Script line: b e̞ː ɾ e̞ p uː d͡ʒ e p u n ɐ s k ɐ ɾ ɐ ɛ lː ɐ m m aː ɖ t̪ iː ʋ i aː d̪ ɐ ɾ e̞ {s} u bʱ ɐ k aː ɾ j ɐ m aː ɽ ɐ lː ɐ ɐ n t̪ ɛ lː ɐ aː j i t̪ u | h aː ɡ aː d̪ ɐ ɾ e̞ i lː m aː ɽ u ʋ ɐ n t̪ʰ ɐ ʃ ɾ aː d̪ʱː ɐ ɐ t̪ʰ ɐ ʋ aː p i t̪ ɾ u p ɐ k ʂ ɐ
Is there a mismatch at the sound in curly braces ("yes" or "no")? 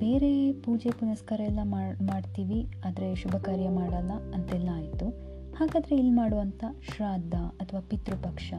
yes